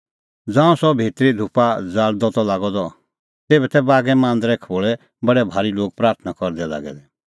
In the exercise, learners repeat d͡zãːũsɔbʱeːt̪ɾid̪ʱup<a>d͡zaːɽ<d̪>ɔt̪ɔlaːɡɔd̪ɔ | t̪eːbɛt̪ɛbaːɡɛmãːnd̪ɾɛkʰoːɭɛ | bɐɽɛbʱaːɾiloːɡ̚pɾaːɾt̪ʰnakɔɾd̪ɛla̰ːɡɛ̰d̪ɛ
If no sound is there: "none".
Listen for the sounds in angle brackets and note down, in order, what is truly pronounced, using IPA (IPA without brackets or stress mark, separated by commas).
a, d̪